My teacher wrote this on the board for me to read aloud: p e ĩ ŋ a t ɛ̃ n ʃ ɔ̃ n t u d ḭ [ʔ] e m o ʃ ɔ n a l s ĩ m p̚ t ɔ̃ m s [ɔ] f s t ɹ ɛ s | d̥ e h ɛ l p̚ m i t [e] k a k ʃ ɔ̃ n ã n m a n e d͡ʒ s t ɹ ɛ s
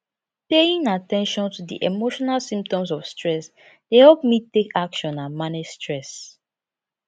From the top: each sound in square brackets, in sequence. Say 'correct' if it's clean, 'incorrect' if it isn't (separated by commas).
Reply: correct, correct, correct